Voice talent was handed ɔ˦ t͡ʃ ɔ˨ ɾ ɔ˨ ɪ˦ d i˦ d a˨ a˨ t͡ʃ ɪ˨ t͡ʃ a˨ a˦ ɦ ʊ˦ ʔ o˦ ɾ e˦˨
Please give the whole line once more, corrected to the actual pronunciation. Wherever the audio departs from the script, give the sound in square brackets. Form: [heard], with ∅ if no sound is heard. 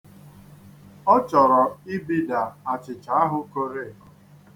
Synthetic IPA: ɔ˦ t͡ʃ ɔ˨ ɾ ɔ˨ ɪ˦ [b] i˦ d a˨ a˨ t͡ʃ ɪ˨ t͡ʃ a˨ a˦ ɦ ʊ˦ [k] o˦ ɾ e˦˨

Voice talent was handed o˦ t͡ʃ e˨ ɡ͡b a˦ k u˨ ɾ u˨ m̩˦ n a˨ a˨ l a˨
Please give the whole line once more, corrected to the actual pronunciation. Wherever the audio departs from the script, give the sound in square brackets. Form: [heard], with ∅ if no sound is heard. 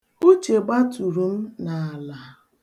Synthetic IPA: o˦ t͡ʃ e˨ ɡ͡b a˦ [t] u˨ ɾ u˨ m̩˦ n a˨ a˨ l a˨

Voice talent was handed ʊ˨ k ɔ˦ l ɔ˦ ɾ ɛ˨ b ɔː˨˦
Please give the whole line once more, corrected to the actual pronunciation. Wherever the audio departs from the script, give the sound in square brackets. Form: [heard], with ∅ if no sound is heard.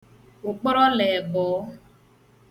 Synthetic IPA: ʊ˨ [k͡p] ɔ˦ [ɾ] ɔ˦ [l] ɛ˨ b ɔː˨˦

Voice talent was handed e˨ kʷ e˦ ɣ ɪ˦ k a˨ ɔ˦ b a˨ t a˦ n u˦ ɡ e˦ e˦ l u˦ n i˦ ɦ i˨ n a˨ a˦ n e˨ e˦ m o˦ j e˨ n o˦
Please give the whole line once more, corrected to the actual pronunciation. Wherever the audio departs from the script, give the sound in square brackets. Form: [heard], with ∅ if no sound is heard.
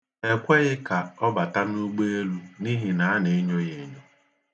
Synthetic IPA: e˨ kʷ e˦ ɣ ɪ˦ k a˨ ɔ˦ b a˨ t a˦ n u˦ [ɡ͡b] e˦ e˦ l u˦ n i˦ ɦ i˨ n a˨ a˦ n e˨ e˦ [ɲ] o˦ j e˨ [ɲ] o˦

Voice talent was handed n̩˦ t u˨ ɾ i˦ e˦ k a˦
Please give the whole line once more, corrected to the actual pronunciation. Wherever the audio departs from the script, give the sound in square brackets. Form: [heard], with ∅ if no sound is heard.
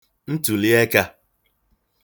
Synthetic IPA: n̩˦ t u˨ [l] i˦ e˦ k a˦

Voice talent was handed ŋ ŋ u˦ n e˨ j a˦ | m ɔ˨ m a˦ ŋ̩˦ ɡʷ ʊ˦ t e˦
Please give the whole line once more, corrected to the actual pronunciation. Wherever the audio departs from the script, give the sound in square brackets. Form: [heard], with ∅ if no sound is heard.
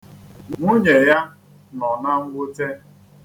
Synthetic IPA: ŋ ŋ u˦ [ɲ] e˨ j a˦ | [n] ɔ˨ [n] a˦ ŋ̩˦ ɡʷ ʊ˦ t e˦

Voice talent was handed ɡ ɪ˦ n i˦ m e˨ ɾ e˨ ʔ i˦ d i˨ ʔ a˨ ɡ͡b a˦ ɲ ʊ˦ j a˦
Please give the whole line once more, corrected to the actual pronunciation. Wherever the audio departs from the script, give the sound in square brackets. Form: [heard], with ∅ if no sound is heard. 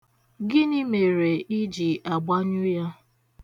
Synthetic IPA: ɡ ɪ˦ n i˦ m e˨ ɾ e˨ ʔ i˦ [d͡ʒ] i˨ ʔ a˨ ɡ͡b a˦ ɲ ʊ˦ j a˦

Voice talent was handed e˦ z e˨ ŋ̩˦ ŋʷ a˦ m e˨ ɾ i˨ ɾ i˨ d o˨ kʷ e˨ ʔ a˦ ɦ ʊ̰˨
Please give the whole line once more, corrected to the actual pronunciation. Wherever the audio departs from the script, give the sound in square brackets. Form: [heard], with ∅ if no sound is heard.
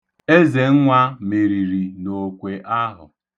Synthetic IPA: e˦ z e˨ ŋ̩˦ ŋʷ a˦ m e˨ ɾ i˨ ɾ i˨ [n] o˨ kʷ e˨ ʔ a˦ ɦ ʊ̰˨

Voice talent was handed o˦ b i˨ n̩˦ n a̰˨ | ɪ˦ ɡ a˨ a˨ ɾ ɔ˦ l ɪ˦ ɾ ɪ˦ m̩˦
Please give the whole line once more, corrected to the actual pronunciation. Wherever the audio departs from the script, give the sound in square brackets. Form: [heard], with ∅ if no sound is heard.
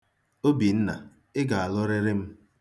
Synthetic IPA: o˦ b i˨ n̩˦ n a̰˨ | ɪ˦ ɡ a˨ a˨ [l] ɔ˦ [ɾ] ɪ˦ ɾ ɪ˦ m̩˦

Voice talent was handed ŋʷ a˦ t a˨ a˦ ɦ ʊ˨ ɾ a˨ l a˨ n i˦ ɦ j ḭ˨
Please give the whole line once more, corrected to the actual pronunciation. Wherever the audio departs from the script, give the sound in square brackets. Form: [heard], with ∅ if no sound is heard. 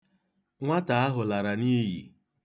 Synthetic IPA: ŋʷ a˦ t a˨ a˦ ɦ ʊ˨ [l] a˨ [ɾ] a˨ n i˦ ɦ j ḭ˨

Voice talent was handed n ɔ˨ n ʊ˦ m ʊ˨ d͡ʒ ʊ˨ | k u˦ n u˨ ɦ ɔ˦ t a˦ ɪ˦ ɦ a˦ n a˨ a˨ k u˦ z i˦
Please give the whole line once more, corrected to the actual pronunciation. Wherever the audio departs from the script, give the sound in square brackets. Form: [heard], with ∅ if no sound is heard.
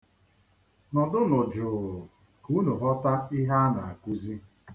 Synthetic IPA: n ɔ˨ [d] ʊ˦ [n] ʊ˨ d͡ʒ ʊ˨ | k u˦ n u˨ ɦ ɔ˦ t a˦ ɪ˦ ɦ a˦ n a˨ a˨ k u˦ z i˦

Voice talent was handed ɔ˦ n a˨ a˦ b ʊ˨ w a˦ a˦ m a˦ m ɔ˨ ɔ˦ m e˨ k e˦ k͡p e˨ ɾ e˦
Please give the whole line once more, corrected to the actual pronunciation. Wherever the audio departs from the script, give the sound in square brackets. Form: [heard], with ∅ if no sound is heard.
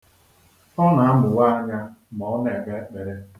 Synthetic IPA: ɔ˦ n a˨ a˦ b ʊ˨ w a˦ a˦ [ɲ] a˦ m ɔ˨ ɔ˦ [n] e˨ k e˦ k͡p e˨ ɾ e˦

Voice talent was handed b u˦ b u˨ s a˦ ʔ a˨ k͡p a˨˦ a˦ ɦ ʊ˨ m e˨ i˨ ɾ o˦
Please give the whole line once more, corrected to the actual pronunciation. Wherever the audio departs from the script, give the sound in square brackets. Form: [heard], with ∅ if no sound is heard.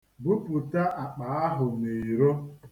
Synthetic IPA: b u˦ [p] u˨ [t] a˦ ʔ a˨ k͡p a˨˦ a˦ ɦ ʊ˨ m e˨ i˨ ɾ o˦

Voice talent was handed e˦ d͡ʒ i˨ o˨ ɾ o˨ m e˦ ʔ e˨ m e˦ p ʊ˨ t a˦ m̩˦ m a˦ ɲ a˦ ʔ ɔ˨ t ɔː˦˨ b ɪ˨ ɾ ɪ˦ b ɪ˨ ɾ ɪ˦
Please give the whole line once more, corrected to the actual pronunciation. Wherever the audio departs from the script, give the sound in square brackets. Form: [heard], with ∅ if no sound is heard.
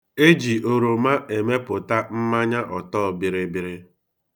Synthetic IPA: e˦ d͡ʒ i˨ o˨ ɾ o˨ m [a˦] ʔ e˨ m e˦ p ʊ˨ t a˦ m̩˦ m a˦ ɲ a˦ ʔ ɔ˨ t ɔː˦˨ b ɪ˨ ɾ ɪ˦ b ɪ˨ ɾ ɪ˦

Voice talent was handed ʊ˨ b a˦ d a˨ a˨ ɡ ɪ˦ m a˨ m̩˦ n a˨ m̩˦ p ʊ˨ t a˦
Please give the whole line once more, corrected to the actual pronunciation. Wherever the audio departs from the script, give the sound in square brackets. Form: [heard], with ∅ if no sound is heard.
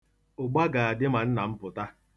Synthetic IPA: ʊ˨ [ɡ͡b] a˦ [ɡ] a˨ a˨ [d] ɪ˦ m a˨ [n̩˦] n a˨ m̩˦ p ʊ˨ t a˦

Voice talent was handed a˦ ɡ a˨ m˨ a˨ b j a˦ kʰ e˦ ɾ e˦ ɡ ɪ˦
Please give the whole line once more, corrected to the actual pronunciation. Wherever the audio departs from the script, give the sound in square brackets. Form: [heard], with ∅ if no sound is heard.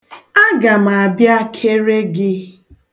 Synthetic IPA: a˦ ɡ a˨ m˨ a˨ b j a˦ kʰ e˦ ɾ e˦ ɡ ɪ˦

